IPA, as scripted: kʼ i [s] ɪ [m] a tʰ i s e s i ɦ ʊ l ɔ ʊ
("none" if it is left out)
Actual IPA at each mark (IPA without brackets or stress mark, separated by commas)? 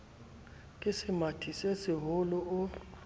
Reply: s, m